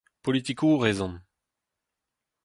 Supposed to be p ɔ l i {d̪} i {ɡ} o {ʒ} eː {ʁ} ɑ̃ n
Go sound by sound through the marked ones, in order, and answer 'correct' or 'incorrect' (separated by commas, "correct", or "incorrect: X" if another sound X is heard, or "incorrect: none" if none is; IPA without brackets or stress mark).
incorrect: t̪, incorrect: k, incorrect: ʁ, incorrect: z